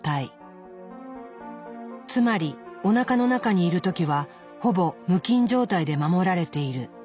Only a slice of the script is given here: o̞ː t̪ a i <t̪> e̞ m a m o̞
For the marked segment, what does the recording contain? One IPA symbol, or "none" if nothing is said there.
d̪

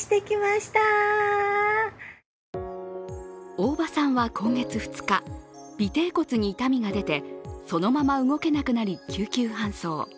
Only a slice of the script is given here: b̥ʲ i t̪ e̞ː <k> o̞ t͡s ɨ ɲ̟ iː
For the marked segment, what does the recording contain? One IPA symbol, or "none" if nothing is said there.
k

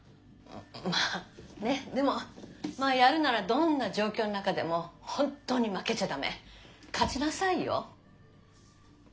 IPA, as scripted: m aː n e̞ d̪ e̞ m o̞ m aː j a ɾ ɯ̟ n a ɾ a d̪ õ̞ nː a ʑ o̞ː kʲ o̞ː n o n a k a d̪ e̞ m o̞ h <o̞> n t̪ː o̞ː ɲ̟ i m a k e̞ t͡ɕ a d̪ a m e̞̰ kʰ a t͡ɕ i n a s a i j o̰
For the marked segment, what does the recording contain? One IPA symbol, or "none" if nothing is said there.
õ̞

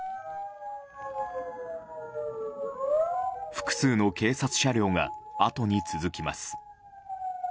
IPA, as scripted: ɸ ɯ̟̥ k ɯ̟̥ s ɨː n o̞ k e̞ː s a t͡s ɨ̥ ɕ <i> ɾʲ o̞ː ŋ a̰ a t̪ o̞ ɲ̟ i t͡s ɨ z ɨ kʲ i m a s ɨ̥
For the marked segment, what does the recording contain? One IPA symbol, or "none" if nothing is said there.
a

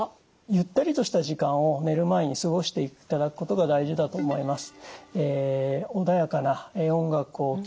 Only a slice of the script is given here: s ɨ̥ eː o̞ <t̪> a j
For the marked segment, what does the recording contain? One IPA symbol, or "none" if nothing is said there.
d̪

